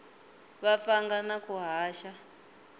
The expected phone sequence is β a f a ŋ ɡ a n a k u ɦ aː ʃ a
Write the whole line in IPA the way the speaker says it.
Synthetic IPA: β a f a ŋ ɡ a n a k u ɦ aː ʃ a